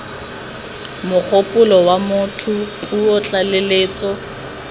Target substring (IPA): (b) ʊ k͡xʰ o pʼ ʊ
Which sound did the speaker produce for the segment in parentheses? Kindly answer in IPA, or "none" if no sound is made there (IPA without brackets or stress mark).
m